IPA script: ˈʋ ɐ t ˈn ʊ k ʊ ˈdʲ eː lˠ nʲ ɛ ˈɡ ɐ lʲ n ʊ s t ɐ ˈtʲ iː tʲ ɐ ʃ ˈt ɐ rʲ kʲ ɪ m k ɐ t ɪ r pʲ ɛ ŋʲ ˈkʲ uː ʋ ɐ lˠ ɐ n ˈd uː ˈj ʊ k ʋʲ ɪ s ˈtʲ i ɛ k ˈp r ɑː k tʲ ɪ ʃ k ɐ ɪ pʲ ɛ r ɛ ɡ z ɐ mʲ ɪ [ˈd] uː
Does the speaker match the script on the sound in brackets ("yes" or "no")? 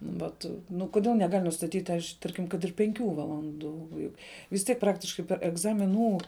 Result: no